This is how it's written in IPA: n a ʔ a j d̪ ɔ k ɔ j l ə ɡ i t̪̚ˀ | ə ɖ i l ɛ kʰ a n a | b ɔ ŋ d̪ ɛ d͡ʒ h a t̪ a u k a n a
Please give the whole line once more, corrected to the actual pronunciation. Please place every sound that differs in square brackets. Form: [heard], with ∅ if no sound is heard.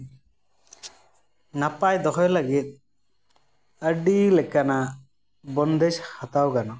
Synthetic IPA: n a [p] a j d̪ ɔ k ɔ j l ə ɡ i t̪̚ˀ | ə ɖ i l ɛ [k] a n a | b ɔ [n] d̪ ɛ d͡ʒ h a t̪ a [w] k a n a